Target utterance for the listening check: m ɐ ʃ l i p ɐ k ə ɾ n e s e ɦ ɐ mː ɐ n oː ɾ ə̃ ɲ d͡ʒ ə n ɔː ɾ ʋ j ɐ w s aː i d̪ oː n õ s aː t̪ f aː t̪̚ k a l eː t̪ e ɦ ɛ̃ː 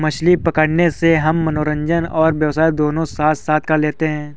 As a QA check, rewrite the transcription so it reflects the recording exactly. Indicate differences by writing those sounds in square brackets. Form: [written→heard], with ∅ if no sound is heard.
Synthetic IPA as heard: m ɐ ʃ l i p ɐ k ə [ɾ→ɽ] n e s e ɦ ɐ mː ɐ n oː ɾ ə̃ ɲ d͡ʒ ə n ɔː ɾ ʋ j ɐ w s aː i d̪ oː n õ s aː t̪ [f→s] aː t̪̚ k a l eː t̪ e ɦ ɛ̃ː